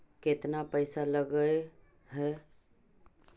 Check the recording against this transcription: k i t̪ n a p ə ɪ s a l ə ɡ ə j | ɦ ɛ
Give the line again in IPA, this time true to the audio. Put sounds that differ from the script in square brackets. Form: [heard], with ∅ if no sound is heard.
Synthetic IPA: k [e] t̪ n a p ə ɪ s a l ə ɡ ə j | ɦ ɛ